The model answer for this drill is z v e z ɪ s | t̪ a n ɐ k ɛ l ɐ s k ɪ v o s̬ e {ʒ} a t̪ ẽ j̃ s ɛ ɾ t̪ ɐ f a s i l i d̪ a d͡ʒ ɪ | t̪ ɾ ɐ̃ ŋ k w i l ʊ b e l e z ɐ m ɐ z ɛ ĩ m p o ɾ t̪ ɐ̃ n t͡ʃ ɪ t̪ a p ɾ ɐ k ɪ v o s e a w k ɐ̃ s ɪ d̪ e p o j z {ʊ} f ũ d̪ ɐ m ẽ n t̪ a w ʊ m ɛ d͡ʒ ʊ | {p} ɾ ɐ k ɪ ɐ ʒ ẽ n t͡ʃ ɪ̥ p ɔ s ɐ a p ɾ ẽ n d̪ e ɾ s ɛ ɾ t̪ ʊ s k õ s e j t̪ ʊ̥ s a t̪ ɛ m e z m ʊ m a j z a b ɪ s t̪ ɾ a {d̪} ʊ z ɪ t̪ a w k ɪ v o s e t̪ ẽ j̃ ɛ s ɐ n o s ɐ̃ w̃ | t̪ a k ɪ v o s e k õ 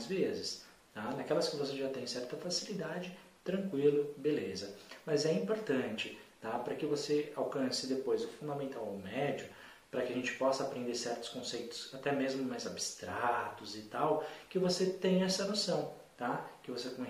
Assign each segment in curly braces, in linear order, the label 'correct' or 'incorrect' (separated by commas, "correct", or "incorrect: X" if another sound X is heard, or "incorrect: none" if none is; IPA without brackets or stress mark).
correct, correct, correct, incorrect: t̪